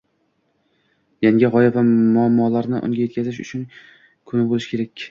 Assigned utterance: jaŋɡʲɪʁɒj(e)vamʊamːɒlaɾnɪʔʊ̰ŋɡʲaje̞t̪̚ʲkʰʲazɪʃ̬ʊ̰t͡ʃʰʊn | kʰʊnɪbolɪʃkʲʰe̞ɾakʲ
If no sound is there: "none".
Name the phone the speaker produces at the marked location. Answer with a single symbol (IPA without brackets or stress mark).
a